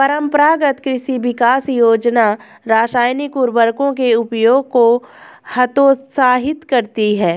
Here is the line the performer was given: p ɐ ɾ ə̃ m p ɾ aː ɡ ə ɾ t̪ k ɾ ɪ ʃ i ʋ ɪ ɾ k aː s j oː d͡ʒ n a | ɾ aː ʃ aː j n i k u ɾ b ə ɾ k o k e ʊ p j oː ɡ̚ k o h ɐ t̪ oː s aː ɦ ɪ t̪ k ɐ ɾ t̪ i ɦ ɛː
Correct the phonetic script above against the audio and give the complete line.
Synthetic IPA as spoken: p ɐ ɾ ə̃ m p ɾ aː ɡ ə t̪ k ɾ ɪ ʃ i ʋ ɪ k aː s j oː d͡ʒ n a | ɾ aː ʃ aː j n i k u ɾ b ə ɾ k õ k e ʊ p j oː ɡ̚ k o h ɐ t̪ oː s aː ɦ ɪ t̪ k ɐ ɾ t̪ i ɦ ɛː